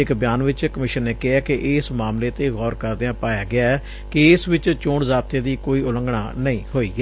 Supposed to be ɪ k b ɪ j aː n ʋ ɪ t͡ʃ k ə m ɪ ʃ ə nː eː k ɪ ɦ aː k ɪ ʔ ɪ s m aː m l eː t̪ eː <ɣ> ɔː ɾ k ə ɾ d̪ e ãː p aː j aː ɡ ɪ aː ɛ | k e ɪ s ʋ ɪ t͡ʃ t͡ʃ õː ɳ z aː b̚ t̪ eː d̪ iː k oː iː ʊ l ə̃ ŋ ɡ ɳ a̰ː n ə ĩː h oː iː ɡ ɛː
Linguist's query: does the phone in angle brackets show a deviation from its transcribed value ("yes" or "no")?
no